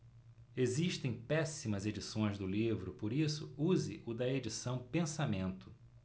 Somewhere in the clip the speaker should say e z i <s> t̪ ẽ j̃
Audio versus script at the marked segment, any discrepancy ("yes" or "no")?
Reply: yes